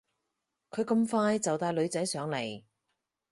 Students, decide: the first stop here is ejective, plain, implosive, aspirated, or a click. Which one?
aspirated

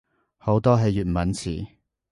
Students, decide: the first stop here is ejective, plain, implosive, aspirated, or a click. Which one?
plain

